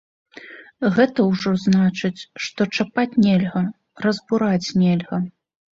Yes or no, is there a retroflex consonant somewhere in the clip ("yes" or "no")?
yes